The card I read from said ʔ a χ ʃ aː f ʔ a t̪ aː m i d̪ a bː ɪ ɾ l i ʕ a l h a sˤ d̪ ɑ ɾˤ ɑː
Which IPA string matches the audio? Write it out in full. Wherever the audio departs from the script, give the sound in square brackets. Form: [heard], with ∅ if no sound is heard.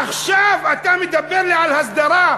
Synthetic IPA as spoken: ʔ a [x] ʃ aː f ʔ a t̪ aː m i d̪ a bː ɪ ɾ l i ʕ a l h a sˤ d̪ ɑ ɾˤ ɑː